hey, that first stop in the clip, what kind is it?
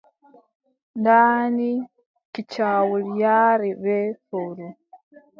plain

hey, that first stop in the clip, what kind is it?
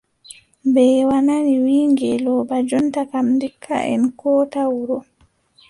plain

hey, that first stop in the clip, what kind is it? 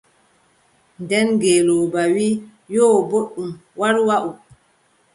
plain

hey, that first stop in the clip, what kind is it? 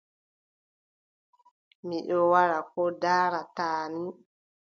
implosive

